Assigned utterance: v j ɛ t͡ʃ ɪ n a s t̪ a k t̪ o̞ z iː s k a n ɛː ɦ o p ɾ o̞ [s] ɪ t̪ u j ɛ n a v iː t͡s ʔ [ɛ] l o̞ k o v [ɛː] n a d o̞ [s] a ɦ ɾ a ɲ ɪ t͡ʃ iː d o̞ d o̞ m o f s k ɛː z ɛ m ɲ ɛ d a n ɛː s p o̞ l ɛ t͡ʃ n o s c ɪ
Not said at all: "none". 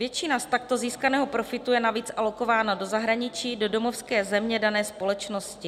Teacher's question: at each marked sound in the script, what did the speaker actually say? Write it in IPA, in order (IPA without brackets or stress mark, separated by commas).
f, a, aː, z